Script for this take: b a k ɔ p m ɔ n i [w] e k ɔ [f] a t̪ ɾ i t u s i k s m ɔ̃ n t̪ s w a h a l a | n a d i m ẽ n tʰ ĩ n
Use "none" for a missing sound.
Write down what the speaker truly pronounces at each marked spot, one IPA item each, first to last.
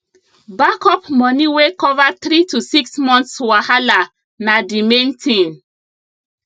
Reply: w, v

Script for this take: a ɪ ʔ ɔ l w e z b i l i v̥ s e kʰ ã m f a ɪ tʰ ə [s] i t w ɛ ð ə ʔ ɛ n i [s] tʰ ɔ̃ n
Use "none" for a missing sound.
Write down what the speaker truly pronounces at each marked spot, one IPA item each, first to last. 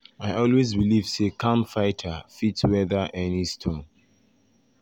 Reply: f, s

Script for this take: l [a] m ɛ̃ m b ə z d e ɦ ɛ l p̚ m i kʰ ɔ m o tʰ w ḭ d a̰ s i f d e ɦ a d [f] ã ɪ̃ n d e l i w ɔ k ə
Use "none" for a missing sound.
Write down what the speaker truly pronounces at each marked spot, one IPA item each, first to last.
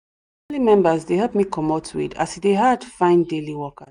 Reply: i, f

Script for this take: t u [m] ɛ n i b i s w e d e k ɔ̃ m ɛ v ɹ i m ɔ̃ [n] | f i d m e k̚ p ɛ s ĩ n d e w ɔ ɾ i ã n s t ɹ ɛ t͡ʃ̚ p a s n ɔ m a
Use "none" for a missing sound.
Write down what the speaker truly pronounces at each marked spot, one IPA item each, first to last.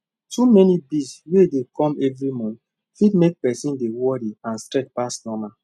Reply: m, n

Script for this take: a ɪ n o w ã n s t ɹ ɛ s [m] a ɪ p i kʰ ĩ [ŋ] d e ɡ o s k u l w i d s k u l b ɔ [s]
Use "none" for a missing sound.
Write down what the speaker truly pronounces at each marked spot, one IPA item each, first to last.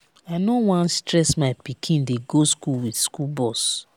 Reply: m, n, s

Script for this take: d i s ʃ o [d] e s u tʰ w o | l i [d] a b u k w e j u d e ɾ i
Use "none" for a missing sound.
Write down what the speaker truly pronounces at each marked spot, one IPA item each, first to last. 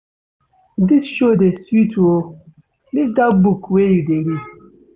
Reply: d, d

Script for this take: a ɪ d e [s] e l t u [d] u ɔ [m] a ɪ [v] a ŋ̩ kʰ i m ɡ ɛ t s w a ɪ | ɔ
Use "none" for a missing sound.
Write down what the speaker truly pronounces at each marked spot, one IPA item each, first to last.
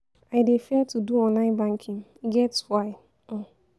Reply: f, d, n, b

